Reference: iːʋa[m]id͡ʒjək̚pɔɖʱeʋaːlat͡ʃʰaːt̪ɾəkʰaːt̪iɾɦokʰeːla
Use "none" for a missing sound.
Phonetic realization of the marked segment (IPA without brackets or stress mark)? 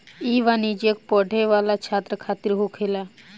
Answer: n